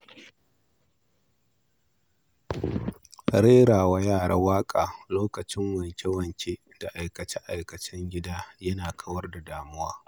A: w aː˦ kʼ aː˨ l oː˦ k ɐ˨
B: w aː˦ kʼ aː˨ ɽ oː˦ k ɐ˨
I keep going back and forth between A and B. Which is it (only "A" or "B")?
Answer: A